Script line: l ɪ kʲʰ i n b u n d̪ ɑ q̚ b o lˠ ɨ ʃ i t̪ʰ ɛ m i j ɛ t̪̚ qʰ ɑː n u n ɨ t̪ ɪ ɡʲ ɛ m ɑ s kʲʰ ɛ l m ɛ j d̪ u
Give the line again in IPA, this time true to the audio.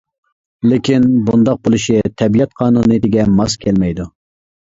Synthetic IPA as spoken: l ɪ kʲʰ i n b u n d̪ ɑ q̚ b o lˠ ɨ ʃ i t̪ʰ ɛ b i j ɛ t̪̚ qʰ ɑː n u n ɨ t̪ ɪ ɡʲ ɛ m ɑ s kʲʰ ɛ l m ɛ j d̪ u

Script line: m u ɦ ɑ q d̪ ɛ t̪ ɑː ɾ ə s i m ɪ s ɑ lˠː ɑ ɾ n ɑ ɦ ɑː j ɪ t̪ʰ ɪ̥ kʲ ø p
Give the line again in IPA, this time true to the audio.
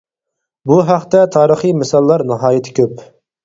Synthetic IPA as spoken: b u ɦ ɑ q t̪ ɛ t̪ʰ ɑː ɾ ə χ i m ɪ s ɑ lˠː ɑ ɾ n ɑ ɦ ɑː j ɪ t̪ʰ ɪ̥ kʲ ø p

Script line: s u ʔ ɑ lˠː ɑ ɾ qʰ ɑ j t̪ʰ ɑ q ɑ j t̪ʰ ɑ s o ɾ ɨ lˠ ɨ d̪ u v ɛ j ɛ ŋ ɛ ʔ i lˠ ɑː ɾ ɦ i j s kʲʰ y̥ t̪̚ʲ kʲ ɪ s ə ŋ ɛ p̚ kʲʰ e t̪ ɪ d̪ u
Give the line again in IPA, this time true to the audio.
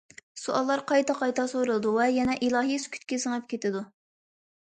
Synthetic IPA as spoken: s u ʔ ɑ lˠː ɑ ɾ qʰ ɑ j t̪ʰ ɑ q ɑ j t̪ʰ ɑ s o ɾ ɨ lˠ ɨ d̪ u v ɛ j ɛ n ɛ ʔ i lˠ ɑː ɦ i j s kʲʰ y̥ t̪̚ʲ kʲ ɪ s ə ŋ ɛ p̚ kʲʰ e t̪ ɪ d̪ u

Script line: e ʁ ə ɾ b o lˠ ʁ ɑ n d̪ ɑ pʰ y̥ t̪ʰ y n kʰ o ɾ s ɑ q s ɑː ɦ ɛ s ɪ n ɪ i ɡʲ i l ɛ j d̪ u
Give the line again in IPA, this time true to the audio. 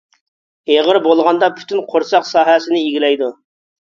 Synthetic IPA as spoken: e ʁ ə ɾ b o lˠ ʁ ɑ n d̪ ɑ pʰ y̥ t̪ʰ y n qʰ o ɾ s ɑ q s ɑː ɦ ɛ s ɪ n ɪ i ɡʲ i l ɛ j d̪ u

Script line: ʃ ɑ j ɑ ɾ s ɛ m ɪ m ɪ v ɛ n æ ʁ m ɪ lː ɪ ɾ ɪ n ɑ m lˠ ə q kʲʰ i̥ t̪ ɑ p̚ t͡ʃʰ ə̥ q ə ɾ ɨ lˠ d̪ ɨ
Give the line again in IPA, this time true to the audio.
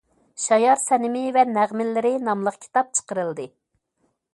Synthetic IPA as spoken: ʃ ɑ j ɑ ɾ s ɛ n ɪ m ɪ v ɛ n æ ʁ m ɪ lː ɪ ɾ ɪ n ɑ m lˠ ə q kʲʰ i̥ t̪ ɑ p̚ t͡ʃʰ ə̥ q ə ɾ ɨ lˠ d̪ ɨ

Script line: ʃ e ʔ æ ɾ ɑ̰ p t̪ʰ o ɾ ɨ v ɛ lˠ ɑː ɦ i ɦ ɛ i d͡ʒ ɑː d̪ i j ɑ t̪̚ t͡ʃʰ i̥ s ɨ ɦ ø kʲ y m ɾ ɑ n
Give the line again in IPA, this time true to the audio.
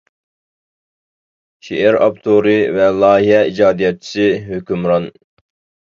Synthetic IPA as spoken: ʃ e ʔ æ ɾ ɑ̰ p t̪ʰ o ɾ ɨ v ɛ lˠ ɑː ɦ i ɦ ɛ i d͡ʒ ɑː d̪ i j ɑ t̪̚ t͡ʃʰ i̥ s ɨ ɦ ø kʲ y m ɾ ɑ n

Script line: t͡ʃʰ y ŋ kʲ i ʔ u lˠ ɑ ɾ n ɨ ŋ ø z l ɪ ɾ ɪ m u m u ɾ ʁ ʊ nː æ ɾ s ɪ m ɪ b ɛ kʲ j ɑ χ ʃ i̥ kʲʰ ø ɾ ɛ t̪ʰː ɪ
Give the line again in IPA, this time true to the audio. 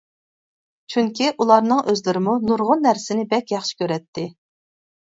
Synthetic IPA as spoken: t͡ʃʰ y ŋ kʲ i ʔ u lˠ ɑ ɾ n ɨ ŋ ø z l ɪ ɾ ɪ m u n u ɾ ʁ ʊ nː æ ɾ s ɪ n ɪ b ɛ kʲ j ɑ χ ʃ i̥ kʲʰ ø ɾ ɛ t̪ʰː ɪ

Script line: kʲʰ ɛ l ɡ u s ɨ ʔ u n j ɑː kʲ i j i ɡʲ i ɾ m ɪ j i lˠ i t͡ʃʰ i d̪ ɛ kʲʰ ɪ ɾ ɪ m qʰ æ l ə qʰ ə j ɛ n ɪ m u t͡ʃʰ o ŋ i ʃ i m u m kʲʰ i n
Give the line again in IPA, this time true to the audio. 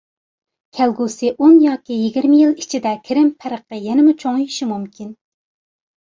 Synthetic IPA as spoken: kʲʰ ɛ l ɡ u s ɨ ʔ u n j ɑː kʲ i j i ɡʲ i ɾ m ɪ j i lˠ i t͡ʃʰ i d̪ ɛ kʲʰ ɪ ɾ ɪ m pʰ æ ɾ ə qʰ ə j ɛ n ɪ m u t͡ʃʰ o ŋ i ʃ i m u m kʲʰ i n

